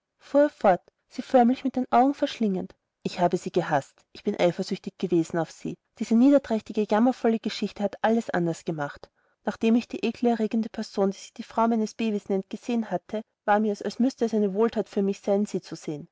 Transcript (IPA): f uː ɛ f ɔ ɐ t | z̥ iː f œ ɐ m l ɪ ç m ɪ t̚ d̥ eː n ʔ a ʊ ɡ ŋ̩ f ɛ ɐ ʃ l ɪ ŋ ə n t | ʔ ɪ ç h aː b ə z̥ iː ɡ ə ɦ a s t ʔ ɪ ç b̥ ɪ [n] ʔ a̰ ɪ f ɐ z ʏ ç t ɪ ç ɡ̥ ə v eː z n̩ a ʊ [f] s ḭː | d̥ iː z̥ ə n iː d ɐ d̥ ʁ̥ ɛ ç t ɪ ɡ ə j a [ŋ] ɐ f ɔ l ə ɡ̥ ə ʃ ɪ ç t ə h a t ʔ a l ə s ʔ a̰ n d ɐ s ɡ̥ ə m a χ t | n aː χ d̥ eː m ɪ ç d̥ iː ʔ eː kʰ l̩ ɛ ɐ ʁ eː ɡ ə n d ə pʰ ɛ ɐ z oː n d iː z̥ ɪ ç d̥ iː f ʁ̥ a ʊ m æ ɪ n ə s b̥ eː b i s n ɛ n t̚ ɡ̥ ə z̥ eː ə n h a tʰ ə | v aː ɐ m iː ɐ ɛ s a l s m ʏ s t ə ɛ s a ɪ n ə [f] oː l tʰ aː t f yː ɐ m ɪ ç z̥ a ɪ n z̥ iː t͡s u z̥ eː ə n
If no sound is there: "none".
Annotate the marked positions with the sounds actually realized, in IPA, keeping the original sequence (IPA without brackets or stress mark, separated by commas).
n, f, m, v